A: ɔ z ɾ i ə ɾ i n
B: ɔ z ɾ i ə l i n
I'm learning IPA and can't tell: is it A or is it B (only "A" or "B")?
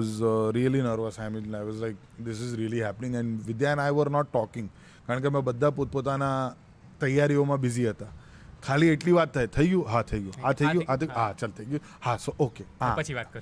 B